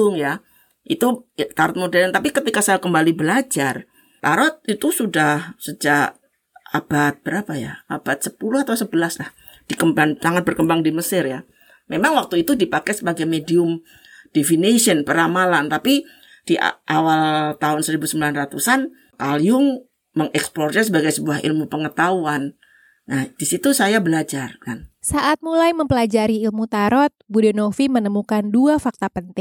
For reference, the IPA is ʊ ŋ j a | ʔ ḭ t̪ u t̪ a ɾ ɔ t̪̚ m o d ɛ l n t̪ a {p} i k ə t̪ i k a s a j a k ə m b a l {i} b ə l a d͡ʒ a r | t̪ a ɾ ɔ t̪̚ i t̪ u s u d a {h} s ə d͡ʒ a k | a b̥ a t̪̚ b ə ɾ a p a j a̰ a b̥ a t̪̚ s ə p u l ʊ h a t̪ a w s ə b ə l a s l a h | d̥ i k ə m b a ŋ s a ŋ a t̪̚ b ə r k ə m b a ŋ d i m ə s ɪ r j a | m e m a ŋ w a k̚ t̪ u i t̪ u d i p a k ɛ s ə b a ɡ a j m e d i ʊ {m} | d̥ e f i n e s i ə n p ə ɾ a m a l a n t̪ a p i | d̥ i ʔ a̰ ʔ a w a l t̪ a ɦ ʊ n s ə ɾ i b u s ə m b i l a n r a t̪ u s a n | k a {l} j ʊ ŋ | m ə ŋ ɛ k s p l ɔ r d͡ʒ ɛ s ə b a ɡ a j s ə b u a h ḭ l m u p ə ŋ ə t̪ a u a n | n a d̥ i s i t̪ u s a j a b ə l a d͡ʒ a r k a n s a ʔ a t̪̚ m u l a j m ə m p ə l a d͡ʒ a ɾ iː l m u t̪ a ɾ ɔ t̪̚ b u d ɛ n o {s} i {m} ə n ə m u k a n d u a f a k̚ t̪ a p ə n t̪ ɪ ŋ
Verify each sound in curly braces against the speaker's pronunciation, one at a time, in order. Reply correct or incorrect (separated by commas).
correct, correct, correct, correct, correct, incorrect, correct